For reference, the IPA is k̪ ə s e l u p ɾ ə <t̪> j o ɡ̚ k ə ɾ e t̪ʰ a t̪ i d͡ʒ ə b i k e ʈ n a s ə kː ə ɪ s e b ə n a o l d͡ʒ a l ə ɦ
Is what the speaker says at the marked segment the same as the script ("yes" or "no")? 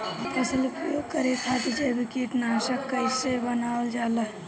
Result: no